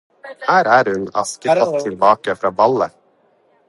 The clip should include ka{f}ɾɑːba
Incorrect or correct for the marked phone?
correct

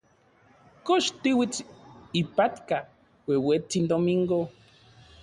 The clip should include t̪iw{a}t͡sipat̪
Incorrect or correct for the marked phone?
incorrect: i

